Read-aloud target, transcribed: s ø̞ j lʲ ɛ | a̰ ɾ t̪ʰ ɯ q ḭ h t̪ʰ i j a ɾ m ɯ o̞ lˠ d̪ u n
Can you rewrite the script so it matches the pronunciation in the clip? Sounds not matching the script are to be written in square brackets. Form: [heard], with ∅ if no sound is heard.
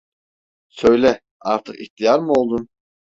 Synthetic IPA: s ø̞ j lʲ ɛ | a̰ ɾ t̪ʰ ɯ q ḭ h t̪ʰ i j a ɾ m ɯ o̞ lˠ d̪ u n